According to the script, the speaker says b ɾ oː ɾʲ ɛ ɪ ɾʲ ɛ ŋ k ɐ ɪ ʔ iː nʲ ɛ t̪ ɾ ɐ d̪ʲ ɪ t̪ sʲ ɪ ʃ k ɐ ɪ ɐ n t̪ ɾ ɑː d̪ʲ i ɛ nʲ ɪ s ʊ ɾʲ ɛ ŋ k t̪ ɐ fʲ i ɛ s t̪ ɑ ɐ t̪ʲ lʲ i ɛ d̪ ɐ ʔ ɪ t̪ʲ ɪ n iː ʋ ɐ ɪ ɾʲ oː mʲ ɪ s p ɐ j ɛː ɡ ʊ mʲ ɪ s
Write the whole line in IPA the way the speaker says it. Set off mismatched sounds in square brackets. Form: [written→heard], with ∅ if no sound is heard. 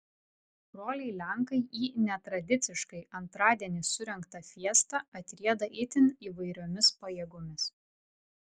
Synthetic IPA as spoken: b ɾ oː [ɾʲ→lʲ] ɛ ɪ [ɾʲ→lʲ] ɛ ŋ k ɐ ɪ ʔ iː nʲ ɛ t̪ ɾ ɐ d̪ʲ ɪ t̪ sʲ ɪ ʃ k ɐ ɪ ɐ n t̪ ɾ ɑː d̪ʲ i ɛ nʲ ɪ s ʊ ɾʲ ɛ ŋ k t̪ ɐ fʲ i ɛ s t̪ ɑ ɐ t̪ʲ [lʲ→ɾʲ] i ɛ d̪ ɐ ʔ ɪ t̪ʲ ɪ n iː ʋ ɐ ɪ ɾʲ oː mʲ ɪ s p ɐ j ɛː ɡ ʊ mʲ ɪ s